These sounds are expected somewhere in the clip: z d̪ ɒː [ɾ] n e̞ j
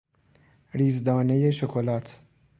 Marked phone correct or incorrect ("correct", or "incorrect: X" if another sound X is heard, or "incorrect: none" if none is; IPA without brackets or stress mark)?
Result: incorrect: none